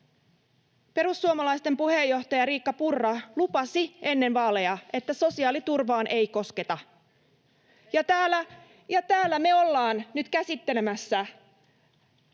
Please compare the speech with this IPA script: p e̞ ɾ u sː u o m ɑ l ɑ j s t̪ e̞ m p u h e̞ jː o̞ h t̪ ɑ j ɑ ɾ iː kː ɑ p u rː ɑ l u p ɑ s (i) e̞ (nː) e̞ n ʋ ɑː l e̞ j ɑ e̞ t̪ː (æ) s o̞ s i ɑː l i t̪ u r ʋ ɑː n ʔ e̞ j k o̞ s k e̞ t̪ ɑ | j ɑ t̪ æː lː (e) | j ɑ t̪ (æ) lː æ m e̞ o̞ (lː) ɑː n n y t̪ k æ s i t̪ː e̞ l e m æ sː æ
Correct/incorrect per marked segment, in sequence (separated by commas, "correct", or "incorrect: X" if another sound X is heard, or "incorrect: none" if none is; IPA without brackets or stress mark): correct, correct, correct, incorrect: æ, incorrect: æː, correct